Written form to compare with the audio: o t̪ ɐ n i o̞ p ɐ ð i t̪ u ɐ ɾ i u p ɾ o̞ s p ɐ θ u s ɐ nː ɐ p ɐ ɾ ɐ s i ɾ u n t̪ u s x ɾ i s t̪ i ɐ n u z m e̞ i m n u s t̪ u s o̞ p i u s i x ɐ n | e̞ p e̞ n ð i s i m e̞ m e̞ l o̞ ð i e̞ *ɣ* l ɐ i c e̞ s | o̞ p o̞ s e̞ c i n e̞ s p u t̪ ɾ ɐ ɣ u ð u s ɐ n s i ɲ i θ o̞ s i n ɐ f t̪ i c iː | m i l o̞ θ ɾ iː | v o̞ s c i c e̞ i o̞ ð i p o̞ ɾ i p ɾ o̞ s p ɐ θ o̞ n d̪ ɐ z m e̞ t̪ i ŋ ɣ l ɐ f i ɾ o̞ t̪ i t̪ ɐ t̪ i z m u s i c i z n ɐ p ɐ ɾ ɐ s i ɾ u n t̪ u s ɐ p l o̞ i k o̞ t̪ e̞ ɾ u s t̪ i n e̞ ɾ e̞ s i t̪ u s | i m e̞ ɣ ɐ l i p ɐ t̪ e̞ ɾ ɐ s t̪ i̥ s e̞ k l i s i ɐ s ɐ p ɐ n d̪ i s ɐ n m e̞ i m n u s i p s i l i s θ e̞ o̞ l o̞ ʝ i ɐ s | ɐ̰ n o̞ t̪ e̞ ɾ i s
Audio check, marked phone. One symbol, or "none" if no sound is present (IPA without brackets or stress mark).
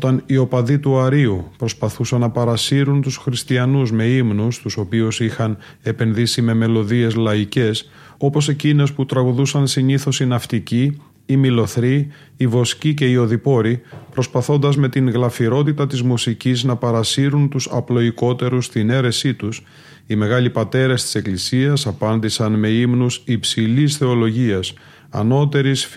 z